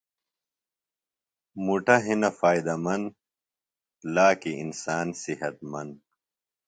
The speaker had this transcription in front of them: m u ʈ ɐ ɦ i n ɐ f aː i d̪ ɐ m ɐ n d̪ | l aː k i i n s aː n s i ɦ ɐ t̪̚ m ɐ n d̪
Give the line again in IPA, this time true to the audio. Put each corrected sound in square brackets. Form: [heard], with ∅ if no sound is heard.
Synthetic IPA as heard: m u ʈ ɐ ɦ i n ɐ f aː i d̪ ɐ m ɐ n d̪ | l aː k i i n s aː n s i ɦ ɐ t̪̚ m ɐ n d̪